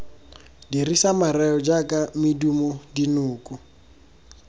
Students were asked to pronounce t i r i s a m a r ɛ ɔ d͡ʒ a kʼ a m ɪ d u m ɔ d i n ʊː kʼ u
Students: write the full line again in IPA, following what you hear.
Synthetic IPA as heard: d i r i s a m a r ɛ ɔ d͡ʒ a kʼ a m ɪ d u m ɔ d i n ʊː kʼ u